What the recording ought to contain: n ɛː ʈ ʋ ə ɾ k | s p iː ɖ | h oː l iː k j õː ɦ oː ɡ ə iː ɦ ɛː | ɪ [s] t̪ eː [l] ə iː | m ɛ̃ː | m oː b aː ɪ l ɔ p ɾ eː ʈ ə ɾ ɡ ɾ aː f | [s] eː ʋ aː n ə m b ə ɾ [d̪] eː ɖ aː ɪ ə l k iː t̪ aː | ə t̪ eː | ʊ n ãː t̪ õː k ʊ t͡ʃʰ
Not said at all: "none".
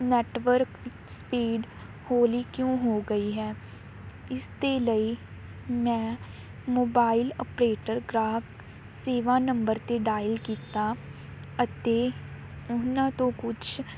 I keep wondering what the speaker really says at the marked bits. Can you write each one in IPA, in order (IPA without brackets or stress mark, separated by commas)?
s, l, s, t̪